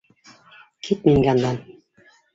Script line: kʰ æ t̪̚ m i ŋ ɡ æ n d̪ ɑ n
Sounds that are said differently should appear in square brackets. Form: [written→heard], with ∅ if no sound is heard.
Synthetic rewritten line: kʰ [æ→i] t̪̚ m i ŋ ɡ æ n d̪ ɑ n